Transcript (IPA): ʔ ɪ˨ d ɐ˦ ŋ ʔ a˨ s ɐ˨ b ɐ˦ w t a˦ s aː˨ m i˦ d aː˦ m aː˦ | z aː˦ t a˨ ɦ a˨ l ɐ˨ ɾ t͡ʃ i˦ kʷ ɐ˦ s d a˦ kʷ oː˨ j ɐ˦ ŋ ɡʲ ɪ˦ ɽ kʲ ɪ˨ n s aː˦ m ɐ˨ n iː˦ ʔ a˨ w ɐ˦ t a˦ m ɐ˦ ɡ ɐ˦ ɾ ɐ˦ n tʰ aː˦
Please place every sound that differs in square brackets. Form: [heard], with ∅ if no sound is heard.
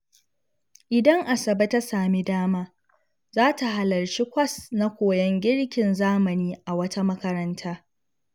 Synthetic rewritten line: ʔ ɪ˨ d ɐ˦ ŋ ʔ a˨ s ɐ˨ b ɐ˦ [∅] t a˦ s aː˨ m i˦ d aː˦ m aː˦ | z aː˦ t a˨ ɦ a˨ l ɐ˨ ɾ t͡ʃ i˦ kʷ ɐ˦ s [n] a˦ kʷ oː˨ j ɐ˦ ŋ ɡʲ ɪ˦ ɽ kʲ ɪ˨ n [z] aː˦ m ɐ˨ n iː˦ ʔ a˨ w ɐ˦ t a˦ m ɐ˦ [k] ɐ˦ ɾ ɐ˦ n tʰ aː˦